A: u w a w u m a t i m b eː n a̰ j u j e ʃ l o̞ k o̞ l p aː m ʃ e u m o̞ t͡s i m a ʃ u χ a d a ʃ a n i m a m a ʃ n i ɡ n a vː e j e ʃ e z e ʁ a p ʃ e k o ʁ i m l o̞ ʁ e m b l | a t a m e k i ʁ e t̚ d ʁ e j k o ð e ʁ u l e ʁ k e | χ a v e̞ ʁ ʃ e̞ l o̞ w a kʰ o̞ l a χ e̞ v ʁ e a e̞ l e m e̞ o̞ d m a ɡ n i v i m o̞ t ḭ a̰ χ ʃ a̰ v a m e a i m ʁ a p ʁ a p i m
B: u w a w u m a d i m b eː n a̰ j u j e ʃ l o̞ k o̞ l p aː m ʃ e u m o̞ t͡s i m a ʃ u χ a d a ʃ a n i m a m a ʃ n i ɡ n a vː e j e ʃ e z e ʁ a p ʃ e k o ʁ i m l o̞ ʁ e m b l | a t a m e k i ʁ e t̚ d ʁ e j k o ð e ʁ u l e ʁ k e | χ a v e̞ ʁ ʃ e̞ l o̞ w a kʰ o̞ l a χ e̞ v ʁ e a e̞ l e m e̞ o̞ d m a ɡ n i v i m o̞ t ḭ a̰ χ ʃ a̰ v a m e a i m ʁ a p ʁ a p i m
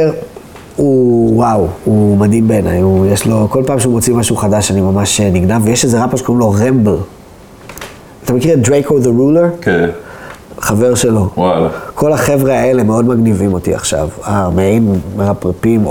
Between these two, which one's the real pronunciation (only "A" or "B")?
B